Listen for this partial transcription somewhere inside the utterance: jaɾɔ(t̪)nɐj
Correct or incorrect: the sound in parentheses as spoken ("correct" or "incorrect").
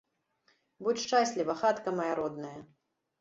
incorrect